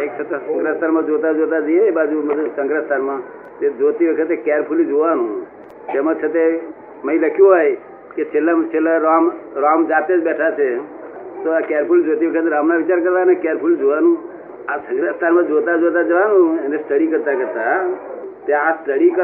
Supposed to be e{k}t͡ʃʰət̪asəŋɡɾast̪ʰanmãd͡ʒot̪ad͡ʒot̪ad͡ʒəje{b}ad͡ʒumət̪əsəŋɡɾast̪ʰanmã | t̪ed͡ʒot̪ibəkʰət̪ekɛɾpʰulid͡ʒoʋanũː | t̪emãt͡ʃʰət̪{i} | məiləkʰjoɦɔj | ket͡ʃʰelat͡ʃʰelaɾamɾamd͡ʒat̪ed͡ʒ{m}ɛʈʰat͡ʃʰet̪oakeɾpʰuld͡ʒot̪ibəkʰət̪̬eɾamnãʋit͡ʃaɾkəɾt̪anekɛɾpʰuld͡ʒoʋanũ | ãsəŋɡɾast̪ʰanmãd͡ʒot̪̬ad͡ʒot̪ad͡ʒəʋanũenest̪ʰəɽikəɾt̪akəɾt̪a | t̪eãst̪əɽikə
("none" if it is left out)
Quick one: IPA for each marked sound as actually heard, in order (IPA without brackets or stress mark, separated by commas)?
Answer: k, b, e, b